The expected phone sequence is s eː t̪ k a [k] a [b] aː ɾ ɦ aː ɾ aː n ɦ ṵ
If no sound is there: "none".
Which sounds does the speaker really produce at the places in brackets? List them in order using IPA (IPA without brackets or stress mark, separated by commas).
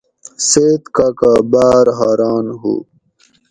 k, b